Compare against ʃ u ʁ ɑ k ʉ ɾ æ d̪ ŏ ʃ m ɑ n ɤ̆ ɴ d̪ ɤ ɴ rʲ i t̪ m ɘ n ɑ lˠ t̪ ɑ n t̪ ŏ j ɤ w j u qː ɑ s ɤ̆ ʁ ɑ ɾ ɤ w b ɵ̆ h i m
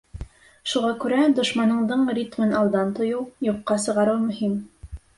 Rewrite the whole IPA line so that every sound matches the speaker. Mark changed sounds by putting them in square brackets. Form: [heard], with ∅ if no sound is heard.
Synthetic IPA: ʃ u ʁ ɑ k ʉ ɾ æ d̪ ŏ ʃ m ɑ n ɤ̆ ɴ d̪ ɤ ɴ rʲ i t̪ m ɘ n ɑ lˠ [d̪] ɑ n t̪ ŏ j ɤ w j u qː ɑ s ɤ̆ ʁ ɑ ɾ ɤ w [m] ɵ̆ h i m